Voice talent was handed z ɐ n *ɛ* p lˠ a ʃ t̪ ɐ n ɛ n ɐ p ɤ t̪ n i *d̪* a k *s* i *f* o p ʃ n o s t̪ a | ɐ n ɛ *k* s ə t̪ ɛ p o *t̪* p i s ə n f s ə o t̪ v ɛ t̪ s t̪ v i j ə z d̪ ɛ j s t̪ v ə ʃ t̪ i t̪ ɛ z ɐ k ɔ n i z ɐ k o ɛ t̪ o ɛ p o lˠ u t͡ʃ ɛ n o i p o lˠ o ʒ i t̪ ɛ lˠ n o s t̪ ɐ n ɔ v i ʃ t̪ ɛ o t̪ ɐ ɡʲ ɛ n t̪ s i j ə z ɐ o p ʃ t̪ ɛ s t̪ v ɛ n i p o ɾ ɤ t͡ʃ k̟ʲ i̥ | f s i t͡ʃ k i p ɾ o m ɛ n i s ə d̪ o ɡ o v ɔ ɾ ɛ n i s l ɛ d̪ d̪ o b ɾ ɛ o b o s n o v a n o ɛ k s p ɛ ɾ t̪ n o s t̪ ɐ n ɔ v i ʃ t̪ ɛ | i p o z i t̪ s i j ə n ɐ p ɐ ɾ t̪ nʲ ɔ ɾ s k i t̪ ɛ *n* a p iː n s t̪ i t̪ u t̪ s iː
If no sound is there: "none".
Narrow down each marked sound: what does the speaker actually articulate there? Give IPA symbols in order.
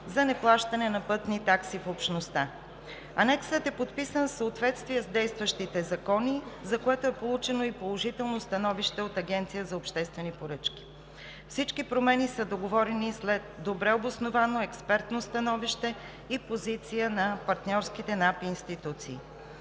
ɛ, t̪, s, f, k, t̪, n

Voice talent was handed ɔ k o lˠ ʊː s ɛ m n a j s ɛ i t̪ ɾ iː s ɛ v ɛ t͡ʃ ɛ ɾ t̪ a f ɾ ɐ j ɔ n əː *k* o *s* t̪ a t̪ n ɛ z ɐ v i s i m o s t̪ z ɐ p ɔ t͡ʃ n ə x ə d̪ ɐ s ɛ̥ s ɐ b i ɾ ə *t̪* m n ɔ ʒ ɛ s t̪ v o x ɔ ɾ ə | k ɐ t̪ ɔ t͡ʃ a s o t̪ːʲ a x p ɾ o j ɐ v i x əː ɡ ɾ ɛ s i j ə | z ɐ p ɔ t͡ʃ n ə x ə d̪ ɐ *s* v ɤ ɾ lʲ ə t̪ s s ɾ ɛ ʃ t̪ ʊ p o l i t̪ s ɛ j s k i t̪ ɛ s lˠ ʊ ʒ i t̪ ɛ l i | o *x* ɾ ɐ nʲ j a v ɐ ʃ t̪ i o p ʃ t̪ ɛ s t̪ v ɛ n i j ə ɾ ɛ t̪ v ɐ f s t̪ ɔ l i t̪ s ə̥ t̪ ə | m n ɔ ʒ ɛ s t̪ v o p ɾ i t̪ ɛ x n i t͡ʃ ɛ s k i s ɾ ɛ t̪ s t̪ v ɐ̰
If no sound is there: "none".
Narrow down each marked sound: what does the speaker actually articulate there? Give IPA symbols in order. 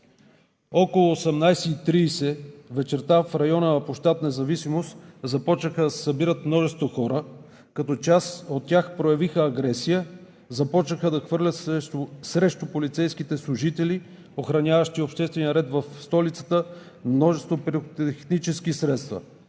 p, ʃ, t̪, x, x

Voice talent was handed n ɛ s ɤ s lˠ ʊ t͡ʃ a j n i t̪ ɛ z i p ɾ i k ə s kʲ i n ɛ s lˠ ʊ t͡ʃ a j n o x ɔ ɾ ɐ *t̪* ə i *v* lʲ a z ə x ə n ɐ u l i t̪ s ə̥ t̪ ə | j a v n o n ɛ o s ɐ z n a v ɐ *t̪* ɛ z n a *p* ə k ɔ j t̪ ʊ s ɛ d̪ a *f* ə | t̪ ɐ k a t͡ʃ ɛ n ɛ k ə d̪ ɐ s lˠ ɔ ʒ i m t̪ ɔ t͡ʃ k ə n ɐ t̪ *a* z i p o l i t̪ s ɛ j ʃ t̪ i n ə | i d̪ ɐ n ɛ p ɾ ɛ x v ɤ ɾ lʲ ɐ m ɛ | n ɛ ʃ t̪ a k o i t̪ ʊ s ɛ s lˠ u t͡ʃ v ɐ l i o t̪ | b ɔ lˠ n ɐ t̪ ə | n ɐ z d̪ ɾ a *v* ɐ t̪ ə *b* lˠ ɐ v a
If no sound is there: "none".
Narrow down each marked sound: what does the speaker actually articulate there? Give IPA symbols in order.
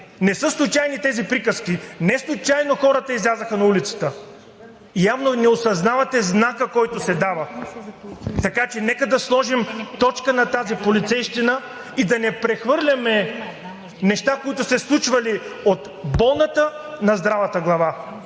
t̪, z, t̪, k, v, a, v, ɡ

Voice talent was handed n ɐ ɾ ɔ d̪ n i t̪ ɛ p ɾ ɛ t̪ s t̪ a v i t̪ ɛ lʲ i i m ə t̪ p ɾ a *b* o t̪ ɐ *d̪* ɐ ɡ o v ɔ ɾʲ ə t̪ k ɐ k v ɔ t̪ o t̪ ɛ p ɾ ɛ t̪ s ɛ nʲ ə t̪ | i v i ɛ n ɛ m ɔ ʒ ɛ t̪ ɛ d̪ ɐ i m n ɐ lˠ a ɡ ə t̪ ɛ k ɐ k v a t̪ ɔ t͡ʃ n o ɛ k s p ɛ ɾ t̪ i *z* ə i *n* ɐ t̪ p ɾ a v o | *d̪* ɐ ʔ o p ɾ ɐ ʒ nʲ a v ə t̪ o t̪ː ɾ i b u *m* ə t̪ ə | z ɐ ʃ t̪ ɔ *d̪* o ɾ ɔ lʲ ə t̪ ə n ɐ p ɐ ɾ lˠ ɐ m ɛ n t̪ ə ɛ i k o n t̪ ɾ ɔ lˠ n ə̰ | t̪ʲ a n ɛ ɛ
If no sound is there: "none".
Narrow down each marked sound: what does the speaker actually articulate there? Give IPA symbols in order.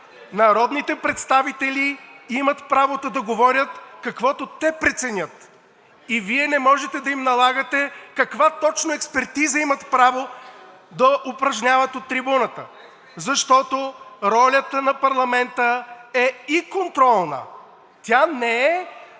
v, d̪, z, m, d̪, n, t̪

